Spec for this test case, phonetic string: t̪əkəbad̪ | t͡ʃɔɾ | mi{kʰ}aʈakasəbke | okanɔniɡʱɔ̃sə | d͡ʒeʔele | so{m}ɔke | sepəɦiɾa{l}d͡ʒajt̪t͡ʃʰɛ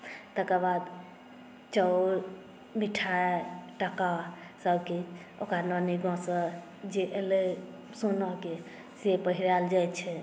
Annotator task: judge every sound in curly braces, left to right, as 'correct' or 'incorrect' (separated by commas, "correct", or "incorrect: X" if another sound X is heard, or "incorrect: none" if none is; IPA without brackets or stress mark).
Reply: incorrect: ʈʰ, incorrect: n, correct